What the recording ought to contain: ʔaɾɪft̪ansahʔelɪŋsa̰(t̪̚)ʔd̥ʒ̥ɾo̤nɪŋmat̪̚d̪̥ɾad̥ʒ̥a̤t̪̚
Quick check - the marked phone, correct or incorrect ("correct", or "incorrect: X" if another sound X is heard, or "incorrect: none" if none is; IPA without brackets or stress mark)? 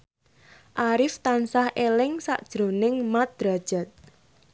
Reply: incorrect: none